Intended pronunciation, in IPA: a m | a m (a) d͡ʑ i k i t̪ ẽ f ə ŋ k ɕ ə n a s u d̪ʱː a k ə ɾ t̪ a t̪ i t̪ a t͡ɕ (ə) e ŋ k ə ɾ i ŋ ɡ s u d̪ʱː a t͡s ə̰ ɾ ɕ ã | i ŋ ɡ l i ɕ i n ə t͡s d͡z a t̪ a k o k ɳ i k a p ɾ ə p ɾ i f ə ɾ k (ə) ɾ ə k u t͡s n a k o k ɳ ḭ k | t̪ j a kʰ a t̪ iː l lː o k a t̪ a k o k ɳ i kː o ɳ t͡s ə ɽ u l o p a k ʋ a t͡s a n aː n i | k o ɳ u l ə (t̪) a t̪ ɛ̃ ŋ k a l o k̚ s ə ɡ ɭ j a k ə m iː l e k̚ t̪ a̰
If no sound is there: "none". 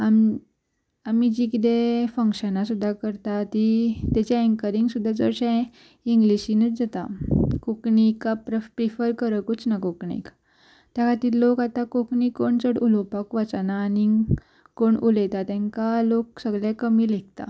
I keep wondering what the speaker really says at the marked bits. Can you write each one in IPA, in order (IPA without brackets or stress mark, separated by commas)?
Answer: i, a, ə, t̪